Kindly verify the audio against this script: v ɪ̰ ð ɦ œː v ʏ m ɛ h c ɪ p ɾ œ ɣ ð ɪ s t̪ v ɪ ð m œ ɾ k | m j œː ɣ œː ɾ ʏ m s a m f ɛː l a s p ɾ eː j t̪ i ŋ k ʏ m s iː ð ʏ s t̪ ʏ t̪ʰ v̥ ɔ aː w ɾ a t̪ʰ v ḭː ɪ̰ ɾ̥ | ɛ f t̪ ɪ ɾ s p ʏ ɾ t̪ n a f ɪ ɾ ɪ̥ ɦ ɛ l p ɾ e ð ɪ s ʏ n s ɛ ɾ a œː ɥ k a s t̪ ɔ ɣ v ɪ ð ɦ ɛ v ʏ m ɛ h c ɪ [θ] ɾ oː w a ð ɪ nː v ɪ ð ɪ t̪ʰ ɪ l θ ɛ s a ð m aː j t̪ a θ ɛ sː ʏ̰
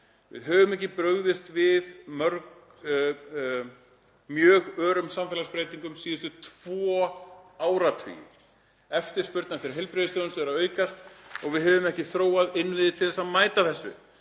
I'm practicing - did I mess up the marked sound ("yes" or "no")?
no